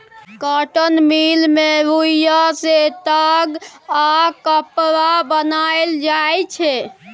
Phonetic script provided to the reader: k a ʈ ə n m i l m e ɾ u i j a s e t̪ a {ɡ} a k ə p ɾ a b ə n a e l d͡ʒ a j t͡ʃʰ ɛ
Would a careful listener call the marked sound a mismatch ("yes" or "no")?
no